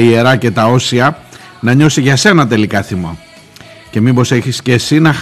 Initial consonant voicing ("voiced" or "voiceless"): voiced